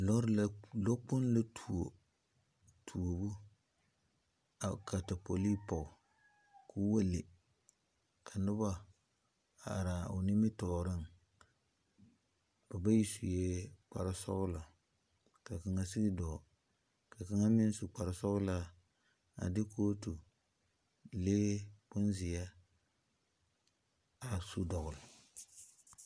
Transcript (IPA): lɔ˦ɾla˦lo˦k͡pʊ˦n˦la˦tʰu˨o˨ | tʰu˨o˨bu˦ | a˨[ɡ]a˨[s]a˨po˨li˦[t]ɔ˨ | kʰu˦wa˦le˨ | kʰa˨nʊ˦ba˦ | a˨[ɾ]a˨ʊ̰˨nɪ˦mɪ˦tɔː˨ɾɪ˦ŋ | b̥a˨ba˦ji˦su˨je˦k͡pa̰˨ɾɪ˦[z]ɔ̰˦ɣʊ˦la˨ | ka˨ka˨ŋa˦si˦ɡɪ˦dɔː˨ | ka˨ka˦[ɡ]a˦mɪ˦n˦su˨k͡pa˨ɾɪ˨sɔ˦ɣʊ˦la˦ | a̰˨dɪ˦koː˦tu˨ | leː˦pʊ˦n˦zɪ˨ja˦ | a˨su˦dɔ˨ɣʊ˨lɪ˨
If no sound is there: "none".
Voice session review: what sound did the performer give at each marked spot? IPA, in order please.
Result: k, t, p, ɾ, s, ŋ

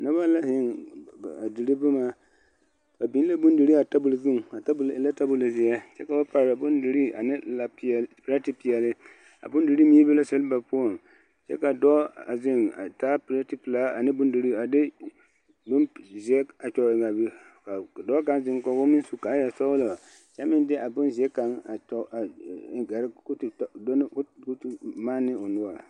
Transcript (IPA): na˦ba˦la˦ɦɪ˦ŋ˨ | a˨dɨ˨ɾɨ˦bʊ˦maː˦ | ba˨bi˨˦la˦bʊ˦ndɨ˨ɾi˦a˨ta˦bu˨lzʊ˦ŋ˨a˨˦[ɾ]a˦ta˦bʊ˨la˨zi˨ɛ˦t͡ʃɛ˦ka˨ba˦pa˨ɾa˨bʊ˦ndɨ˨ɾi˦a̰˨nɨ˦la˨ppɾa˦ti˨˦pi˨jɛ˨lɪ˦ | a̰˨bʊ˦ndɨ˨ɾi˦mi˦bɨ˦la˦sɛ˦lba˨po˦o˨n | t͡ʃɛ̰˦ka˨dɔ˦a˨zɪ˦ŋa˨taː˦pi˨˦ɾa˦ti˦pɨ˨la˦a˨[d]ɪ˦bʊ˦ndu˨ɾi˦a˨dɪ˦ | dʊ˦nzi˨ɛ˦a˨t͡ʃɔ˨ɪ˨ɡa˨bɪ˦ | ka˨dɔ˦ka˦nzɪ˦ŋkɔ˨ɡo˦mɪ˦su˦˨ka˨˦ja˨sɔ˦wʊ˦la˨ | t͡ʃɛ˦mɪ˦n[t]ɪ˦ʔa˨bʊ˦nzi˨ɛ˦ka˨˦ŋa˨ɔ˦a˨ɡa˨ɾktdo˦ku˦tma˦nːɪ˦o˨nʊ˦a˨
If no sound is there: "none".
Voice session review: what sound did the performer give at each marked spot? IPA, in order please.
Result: l, n, d

